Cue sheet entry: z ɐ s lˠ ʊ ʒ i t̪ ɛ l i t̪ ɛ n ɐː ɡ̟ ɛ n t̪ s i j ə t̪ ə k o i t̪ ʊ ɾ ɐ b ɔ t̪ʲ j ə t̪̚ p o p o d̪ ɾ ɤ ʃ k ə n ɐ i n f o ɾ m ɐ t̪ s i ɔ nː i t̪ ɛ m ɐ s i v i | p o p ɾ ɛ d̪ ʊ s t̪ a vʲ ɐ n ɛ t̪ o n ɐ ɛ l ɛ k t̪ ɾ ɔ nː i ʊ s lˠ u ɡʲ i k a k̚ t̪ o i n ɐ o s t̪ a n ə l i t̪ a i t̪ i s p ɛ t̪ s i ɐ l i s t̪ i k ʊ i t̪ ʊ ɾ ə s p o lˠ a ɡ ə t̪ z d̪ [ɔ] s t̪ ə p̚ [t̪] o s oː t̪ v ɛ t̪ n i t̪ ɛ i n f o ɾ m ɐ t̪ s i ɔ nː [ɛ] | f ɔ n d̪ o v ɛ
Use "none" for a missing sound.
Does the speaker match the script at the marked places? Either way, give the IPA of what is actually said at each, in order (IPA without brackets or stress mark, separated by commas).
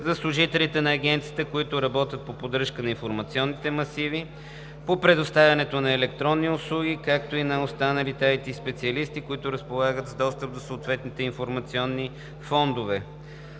ɔ, d̪, i